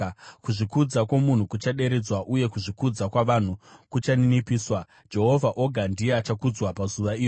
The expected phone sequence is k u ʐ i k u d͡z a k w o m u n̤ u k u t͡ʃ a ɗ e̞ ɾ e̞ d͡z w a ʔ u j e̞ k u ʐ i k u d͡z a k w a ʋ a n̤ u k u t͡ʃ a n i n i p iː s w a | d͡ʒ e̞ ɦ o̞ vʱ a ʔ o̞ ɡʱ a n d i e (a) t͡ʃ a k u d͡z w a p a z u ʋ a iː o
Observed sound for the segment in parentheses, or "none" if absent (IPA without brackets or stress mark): a